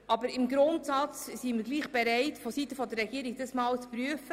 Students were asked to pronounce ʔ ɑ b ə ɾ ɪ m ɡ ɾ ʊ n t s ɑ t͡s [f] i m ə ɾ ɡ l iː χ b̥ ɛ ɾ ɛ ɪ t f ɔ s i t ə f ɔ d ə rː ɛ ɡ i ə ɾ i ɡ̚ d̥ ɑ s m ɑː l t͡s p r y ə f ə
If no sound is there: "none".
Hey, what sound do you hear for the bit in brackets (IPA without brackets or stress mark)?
s